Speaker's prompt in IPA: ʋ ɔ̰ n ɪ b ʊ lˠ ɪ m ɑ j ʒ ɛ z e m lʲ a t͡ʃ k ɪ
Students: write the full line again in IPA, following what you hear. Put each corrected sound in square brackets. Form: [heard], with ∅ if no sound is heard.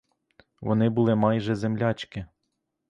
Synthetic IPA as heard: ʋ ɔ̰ n ɪ b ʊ lˠ ɪ m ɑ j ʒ ɛ z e m lʲ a t͡ʃ k ɪ